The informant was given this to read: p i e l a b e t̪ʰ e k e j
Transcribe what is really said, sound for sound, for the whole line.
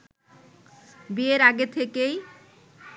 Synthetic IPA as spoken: b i e ɾ a ɡ e t̪ʰ e k e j